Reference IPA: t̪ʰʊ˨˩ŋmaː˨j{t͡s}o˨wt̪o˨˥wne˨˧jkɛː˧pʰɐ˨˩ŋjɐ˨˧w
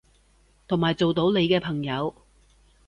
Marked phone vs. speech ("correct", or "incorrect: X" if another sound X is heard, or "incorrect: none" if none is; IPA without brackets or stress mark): correct